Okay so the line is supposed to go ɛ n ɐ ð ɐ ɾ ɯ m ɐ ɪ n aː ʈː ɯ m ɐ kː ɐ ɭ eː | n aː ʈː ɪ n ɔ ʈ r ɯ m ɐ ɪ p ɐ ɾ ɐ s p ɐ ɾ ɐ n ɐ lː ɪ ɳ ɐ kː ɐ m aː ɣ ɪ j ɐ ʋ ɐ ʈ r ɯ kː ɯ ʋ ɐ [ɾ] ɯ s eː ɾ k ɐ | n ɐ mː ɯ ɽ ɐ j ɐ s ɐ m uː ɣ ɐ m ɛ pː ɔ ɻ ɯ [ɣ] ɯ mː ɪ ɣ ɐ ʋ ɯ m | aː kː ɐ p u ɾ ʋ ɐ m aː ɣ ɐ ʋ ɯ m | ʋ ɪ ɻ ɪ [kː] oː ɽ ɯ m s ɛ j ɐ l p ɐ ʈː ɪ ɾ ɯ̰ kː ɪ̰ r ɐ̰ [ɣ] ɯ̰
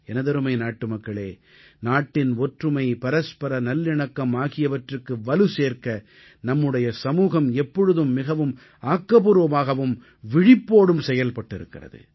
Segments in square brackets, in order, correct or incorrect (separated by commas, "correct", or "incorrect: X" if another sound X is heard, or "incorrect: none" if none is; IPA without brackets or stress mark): incorrect: l, incorrect: ð, incorrect: pː, incorrect: ð